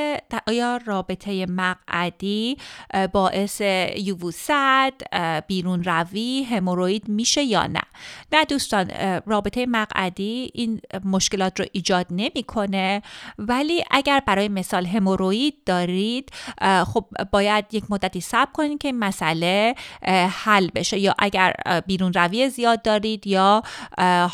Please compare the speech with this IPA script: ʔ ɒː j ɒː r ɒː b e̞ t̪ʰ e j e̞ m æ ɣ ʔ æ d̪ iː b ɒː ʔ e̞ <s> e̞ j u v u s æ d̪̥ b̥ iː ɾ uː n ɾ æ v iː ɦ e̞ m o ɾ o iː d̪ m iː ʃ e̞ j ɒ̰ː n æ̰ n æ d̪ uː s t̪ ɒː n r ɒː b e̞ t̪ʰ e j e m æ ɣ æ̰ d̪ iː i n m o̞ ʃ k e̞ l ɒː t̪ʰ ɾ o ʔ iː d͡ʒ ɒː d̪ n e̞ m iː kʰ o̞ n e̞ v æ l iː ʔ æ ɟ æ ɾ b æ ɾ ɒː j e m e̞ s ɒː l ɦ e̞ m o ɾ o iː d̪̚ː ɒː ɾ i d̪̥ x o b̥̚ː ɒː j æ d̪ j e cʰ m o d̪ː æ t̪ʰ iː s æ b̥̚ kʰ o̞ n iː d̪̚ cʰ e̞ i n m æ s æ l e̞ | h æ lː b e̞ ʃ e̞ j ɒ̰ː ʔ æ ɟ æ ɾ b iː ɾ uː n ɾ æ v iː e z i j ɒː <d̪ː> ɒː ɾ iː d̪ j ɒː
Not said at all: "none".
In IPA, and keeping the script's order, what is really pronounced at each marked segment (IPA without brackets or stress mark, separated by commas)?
s, d̪ː